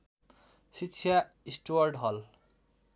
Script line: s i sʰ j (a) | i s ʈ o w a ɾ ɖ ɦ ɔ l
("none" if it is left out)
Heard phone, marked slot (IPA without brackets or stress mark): a